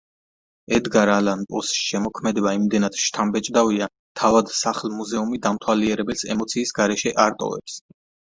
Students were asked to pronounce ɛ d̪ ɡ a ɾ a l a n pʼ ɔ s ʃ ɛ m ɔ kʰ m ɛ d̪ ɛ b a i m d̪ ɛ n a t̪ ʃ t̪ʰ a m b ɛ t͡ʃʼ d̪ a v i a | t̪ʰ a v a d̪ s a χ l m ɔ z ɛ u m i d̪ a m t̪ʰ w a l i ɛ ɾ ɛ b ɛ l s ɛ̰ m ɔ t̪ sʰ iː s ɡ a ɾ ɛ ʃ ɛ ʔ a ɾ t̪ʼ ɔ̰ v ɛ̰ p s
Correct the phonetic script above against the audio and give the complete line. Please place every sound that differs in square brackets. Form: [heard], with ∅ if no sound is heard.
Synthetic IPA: ɛ d̪ ɡ a ɾ a l a n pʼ ɔ s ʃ ɛ m ɔ kʰ m ɛ d̪ ɛ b a i m d̪ ɛ n a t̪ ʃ t̪ʰ a m b ɛ t͡ʃʼ d̪ a v i a | t̪ʰ a v a d̪ s a χ l m [u] z ɛ u m i d̪ a m t̪ʰ w a l i ɛ ɾ ɛ b ɛ l s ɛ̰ m ɔ t̪ sʰ iː s ɡ a ɾ ɛ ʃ ɛ ʔ a ɾ t̪ʼ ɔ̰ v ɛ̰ p s